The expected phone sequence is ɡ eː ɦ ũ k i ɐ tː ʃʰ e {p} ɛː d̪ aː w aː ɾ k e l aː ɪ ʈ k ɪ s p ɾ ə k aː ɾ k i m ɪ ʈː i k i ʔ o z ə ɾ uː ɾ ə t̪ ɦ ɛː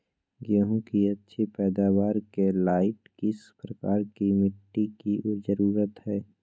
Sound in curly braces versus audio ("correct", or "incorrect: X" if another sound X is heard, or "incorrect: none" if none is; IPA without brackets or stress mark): correct